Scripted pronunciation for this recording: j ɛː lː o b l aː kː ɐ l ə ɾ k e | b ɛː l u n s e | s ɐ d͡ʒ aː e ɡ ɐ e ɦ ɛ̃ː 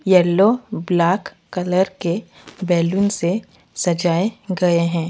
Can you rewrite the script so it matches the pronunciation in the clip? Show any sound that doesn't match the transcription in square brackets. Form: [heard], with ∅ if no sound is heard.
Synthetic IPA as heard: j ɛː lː o b l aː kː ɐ l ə ɾ k e | b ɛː l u n s e | s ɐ d͡ʒ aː e ɡ ɐ e ɦ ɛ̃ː